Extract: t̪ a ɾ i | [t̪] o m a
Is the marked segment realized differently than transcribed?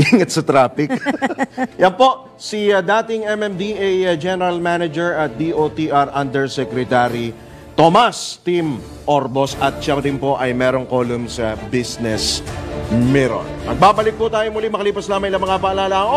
no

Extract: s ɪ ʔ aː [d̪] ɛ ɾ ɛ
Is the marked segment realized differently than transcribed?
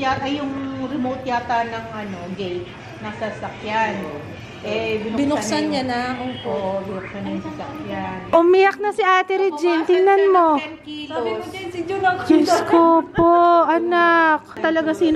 yes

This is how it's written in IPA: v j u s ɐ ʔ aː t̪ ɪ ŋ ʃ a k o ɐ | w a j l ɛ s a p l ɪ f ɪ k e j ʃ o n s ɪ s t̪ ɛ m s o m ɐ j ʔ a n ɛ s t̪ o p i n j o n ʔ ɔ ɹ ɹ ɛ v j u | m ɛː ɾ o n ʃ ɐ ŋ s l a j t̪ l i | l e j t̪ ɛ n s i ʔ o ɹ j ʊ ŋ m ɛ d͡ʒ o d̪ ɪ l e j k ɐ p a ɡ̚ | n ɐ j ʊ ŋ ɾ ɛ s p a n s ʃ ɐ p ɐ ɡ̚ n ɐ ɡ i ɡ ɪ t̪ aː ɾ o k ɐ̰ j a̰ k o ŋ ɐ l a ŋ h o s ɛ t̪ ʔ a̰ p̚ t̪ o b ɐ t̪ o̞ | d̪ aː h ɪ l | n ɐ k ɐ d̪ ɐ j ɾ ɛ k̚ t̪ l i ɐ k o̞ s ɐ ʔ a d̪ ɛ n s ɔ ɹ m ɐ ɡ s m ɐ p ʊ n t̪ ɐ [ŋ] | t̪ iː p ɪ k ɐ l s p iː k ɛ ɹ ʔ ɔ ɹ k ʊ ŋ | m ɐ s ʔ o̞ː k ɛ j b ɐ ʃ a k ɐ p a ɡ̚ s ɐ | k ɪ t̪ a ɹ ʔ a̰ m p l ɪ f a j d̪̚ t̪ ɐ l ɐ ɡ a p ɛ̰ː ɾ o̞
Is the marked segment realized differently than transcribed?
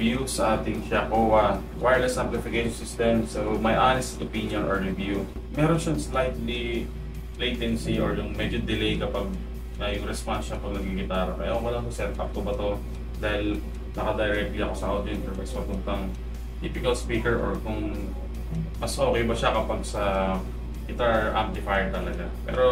no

